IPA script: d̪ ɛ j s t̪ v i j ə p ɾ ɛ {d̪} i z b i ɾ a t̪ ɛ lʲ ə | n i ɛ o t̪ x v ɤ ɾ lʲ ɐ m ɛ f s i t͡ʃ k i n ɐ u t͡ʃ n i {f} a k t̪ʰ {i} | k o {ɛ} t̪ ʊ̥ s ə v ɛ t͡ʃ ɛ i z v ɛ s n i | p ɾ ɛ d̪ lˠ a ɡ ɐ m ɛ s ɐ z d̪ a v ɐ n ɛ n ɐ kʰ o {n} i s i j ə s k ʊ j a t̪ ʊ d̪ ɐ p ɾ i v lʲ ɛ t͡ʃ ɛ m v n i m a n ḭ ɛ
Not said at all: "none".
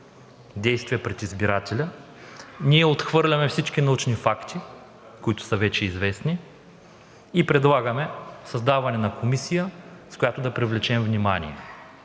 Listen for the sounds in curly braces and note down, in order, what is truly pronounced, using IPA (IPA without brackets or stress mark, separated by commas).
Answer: t̪, f, i, i, m